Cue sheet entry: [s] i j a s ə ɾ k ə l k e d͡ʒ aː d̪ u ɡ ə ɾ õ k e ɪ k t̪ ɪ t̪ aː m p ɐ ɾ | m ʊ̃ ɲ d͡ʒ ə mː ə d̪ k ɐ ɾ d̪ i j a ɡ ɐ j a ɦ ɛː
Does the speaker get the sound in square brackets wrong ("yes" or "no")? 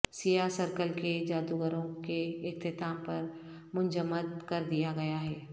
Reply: no